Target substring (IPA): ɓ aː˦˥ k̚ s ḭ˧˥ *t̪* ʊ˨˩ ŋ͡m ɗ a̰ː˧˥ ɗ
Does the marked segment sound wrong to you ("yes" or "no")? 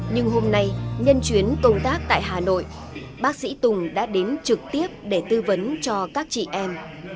no